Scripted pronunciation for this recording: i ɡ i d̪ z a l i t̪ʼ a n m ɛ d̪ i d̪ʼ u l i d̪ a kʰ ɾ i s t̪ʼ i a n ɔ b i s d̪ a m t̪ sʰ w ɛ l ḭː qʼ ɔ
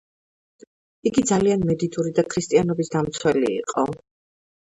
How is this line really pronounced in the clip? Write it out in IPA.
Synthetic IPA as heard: i ɡ i d̪ z a l i a n m ɛ d̪ i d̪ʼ u ɾ i d̪ a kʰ ɾ i s t̪ʼ i a n ɔ b i s d̪ a m t̪ sʰ w ɛ l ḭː qʼ ɔ